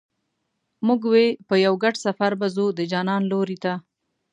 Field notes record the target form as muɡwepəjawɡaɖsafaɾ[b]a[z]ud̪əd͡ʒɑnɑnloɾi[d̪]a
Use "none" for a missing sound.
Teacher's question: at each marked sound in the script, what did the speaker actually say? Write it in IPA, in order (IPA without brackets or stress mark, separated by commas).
b, z, t̪